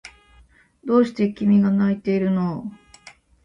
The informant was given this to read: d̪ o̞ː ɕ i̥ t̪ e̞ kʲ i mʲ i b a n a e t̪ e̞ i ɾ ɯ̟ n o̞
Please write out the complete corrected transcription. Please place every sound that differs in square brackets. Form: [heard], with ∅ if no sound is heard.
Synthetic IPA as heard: d̪ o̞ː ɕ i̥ t̪ e̞ kʲ i mʲ i [ɡ] a n a [i] t̪ e̞ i ɾ ɯ̟ n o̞